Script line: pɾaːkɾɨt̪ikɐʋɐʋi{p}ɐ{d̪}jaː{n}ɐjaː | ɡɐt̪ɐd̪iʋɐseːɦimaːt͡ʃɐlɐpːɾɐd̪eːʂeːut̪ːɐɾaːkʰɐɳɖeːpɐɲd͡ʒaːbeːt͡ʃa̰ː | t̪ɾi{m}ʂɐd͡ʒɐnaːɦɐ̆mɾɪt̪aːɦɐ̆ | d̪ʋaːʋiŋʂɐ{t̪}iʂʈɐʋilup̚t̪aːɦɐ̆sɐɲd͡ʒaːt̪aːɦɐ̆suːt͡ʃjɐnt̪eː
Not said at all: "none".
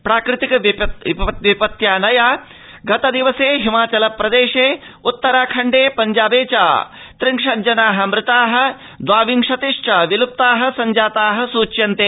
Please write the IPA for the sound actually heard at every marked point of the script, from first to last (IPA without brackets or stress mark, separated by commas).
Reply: p, t̪, n, ŋ, t̪